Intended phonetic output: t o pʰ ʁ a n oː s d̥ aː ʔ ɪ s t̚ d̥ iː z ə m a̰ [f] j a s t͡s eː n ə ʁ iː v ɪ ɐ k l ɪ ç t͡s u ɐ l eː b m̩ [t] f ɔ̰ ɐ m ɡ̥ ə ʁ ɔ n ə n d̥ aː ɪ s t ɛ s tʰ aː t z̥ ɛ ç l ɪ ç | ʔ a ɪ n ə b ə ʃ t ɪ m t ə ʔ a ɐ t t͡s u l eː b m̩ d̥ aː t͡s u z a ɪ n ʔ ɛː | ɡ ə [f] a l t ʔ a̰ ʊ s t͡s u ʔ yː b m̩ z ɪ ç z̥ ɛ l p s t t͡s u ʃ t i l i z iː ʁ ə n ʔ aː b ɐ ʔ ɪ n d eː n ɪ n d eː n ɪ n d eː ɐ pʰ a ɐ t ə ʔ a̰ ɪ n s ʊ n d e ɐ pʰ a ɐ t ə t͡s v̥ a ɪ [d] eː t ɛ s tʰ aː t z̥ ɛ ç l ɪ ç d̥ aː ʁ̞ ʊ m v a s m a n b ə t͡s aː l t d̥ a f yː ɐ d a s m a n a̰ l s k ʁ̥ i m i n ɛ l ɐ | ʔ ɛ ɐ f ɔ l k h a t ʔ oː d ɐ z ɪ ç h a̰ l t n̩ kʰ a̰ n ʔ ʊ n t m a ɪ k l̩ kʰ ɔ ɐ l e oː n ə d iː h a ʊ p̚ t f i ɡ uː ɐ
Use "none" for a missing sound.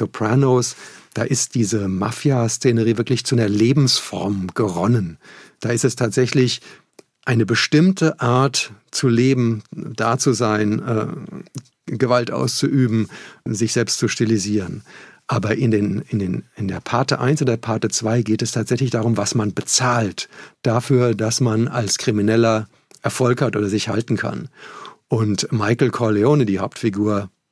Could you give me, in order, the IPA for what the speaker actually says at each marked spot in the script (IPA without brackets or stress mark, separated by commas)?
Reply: f, s, v, ɡ